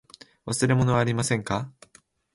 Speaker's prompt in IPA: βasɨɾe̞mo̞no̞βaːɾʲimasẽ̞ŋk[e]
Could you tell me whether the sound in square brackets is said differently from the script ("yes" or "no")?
yes